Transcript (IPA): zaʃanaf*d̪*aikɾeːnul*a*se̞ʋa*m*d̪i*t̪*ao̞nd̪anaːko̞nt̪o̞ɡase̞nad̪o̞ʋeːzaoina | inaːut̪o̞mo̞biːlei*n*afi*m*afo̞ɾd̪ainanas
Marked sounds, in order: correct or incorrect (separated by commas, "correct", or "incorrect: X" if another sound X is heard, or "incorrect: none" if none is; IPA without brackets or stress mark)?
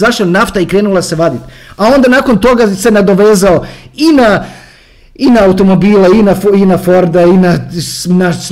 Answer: incorrect: t̪, correct, incorrect: none, correct, correct, incorrect: n